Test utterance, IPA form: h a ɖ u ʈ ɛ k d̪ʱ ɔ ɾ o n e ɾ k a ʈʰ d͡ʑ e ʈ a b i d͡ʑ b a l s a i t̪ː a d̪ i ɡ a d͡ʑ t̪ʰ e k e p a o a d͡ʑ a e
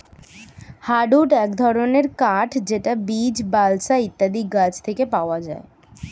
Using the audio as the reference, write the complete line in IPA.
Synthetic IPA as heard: h a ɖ u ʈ ɛ k d̪ʱ ɔ ɾ o n e ɾ k a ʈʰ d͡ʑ e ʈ a b i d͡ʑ b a l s a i t̪ː a d̪ i ɡ a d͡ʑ t̪ʰ e k e p a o a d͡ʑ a e

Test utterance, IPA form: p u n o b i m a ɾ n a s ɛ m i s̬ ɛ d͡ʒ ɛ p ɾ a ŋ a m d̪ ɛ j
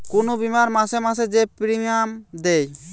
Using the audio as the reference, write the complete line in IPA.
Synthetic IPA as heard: k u n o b i m a ɾ m a s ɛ m a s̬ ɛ d͡ʒ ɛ p ɾ i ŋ a m d̪ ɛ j

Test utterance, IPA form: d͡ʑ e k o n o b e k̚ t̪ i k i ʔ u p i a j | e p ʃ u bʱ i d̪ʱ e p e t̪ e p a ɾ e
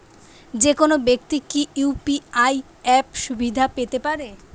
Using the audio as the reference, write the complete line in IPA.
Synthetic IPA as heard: d͡ʑ e k o n o b e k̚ t̪ i k i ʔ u p i a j | ɛ p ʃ u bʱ i d̪ʱ a p e t̪ e p a ɾ e

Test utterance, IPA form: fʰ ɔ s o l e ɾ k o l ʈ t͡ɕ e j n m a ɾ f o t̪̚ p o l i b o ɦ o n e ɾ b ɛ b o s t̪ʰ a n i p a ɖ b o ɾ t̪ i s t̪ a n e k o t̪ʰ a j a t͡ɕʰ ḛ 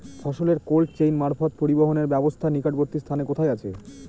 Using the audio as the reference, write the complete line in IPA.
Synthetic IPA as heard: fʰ ɔ ʃ o l e ɾ k o l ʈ t͡ɕ e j n m a ɾ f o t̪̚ p o ɾ i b o ɦ o n e ɾ b ɛ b o s t̪ʰ a n i k a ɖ b o ɾ t̪ i s t̪ʰ a n e k o t̪ʰ a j a t͡ɕʰ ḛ

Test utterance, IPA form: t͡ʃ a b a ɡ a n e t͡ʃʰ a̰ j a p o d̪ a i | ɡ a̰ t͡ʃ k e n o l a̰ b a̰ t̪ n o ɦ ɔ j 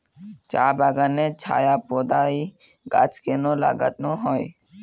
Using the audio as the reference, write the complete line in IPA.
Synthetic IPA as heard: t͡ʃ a b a ɡ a n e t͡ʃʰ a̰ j a p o d̪ a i | ɡ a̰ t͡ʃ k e n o l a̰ ɡ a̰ t̪ n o ɦ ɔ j

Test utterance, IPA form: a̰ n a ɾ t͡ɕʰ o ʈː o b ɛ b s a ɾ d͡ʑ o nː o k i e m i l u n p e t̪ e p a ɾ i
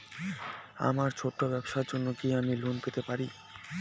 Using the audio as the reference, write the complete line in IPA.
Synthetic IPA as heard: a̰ m a ɾ t͡ɕʰ o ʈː o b ɛ b ʃ a ɾ d͡ʑ o nː o k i a m i l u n p e t̪ e p a ɾ i

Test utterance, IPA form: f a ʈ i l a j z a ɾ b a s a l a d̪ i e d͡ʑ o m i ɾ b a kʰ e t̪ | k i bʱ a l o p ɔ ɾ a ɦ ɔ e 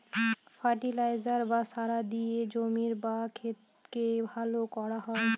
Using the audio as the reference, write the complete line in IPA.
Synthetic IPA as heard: f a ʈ i l a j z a ɾ b a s a ɾ a d̪ i e d͡ʑ o m i ɾ b a kʰ e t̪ | k e bʱ a l o k ɔ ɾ a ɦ ɔ e

